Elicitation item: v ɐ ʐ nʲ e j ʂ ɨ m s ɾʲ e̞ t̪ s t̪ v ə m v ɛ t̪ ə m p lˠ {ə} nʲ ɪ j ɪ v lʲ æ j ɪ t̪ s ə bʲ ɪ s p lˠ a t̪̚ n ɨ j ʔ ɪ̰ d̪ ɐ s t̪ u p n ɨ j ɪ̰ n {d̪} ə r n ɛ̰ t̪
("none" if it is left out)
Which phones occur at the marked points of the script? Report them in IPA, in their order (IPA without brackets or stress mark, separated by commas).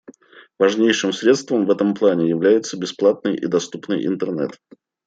a, t̪